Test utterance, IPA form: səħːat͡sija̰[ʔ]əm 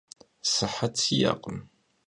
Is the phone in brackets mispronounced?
yes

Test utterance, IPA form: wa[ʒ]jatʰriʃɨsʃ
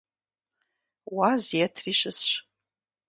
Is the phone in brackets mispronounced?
yes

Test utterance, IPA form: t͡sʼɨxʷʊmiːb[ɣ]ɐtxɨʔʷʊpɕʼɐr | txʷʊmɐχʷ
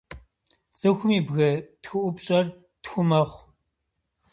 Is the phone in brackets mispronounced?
no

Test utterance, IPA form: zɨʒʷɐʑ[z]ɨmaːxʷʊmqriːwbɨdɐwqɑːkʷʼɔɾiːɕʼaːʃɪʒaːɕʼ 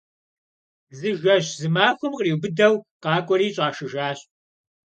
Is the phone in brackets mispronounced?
no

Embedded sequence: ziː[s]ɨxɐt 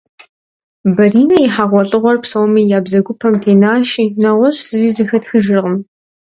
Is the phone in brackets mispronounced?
yes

